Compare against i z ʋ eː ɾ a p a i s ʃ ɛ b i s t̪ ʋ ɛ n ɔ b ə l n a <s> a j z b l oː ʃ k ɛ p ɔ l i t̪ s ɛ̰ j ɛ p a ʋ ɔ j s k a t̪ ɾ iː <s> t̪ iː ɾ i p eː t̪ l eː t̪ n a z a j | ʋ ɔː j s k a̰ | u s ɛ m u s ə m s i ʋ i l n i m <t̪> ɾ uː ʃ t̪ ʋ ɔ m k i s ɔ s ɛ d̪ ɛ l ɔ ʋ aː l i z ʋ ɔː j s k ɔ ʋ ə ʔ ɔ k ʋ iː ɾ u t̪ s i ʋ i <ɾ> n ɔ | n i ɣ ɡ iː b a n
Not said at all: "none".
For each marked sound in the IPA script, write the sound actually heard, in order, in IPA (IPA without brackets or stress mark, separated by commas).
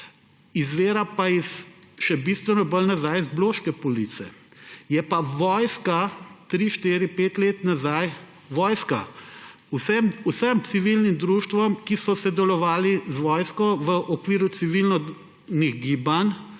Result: z, ʃ, d̪, l